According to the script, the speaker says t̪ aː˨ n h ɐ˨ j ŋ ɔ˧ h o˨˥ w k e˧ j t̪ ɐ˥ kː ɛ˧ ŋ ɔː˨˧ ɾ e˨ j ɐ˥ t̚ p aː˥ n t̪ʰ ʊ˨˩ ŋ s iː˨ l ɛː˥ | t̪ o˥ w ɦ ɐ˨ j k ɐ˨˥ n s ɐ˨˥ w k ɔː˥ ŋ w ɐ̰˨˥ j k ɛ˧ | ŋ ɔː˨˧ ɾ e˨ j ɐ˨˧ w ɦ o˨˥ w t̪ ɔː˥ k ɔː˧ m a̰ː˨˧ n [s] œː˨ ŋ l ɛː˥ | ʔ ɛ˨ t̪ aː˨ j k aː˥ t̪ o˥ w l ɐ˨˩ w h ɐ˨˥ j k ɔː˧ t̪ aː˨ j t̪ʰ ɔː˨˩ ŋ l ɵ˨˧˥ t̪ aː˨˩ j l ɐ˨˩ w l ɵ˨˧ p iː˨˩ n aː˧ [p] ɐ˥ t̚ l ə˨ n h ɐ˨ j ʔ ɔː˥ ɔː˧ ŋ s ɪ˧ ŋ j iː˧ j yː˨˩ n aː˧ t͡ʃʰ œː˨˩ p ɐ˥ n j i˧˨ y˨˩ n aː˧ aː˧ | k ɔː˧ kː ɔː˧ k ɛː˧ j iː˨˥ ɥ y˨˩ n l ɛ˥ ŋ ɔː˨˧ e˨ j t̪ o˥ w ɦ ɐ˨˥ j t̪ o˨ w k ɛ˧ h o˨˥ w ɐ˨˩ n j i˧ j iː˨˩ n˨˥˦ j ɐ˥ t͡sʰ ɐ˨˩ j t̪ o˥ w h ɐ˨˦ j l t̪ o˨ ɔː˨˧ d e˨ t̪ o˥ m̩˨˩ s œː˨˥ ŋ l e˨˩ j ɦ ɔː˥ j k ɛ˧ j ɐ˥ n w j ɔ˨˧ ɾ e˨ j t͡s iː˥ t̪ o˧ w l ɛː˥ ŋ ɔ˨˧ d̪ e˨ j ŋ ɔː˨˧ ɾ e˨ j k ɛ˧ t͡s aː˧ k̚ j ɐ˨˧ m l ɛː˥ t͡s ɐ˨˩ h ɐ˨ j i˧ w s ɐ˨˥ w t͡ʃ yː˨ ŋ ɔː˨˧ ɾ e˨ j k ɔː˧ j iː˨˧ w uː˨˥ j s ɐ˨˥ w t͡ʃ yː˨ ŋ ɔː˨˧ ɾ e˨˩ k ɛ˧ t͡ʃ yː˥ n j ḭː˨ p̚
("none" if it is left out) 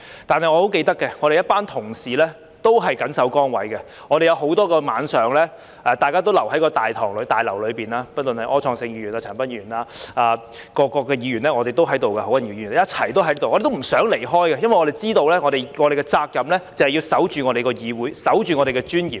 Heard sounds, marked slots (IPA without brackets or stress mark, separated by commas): s, p